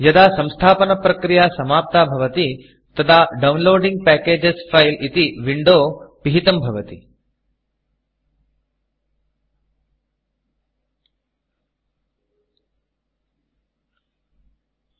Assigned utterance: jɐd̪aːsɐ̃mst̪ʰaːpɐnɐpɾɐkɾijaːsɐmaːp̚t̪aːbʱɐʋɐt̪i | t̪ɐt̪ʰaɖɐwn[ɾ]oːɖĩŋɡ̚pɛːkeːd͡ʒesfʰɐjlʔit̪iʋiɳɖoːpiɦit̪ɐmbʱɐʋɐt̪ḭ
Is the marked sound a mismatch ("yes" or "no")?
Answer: yes